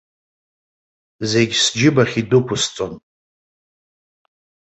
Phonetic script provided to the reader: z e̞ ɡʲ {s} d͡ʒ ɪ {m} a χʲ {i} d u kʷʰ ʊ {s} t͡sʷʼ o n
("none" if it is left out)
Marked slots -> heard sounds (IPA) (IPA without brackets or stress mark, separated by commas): s, b, i, s